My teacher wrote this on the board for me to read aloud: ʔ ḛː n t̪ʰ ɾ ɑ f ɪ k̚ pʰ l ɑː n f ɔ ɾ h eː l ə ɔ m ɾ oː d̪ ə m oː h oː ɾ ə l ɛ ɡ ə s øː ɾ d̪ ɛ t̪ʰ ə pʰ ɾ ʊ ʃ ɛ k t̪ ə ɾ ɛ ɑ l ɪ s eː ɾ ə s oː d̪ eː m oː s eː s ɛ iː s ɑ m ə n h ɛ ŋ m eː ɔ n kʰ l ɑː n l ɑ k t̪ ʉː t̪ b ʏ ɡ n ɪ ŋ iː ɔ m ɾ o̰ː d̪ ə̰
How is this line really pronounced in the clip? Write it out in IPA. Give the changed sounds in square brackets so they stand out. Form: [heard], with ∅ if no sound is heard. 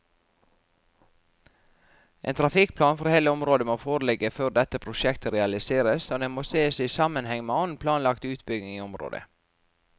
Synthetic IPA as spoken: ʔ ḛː n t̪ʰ ɾ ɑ f ɪ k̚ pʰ l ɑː n f ɔ ɾ h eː l ə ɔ m ɾ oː d̪ ə m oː [f] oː ɾ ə l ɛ ɡ ə [f] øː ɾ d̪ ɛ [t̪] ə pʰ ɾ ʊ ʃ ɛ k t̪ ə ɾ ɛ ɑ l ɪ s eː ɾ ə s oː d̪ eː m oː s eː s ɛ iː s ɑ m ə n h ɛ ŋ m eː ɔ n [pʰ] l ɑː n l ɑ k t̪ ʉː t̪ b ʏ ɡ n ɪ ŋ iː ɔ m ɾ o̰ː d̪ ə̰